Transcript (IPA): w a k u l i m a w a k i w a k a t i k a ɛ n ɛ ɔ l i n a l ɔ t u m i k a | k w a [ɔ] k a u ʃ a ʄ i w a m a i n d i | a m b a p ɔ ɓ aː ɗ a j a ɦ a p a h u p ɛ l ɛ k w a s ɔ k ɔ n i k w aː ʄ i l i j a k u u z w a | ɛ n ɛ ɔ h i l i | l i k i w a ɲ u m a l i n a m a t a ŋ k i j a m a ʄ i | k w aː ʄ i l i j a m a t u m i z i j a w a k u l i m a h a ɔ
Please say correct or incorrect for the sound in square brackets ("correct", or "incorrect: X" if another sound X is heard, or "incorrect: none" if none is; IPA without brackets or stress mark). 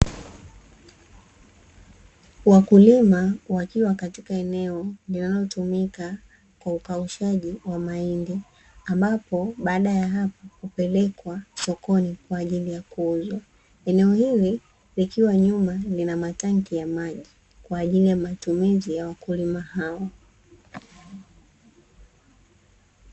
incorrect: u